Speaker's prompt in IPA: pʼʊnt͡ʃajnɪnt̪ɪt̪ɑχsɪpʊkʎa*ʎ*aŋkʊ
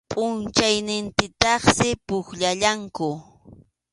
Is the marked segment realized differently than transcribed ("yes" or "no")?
no